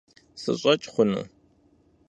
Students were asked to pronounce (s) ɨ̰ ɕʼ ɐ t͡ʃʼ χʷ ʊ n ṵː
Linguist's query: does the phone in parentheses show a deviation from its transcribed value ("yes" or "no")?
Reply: no